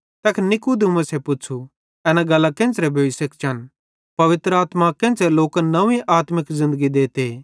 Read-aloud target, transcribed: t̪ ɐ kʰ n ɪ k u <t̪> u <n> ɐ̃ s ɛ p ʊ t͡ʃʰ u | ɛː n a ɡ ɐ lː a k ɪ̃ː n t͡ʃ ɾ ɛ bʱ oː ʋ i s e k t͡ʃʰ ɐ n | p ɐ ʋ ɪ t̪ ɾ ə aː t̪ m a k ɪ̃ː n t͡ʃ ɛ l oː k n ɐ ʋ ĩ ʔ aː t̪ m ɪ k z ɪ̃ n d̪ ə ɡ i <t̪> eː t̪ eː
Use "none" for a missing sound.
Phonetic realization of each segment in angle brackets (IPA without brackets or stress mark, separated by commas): d̪, m, d̪